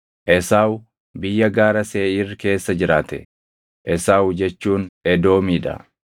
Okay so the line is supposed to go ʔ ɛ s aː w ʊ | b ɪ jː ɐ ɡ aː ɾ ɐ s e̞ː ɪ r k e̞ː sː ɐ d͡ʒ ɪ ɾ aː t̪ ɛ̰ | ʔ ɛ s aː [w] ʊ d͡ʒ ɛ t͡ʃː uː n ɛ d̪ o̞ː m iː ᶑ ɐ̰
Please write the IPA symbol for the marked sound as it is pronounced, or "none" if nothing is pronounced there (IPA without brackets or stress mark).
w